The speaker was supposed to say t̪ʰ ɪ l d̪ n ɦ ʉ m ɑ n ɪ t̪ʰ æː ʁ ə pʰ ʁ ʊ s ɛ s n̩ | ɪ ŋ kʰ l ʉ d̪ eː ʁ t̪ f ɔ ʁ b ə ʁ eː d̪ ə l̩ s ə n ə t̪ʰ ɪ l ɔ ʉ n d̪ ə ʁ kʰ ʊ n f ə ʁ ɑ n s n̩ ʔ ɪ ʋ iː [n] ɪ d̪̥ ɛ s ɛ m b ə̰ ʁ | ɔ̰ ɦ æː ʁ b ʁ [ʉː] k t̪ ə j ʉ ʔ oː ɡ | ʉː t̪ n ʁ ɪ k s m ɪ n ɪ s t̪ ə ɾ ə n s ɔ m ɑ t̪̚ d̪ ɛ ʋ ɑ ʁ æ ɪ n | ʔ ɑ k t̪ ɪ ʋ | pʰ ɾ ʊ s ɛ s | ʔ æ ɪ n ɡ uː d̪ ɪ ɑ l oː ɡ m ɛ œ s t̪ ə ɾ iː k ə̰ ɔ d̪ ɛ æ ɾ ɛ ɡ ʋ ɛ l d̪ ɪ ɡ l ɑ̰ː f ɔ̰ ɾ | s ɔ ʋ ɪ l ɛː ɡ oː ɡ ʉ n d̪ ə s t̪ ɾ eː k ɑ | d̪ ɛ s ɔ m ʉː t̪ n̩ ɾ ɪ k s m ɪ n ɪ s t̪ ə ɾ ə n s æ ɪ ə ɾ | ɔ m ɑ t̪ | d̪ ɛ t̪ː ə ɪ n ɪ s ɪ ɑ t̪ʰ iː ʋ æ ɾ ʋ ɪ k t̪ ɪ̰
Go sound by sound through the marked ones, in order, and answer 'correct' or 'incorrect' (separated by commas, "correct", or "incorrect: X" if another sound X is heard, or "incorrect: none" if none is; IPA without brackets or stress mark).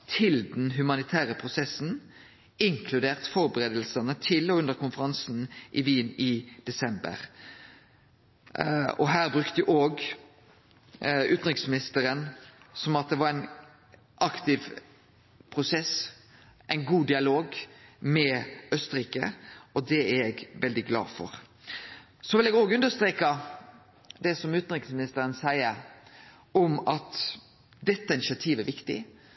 correct, incorrect: ʉ